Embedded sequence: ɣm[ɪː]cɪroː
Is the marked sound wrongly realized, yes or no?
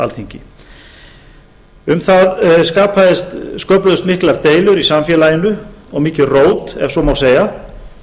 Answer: yes